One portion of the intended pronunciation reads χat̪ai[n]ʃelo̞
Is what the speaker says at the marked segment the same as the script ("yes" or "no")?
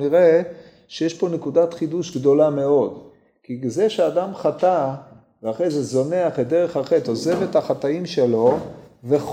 no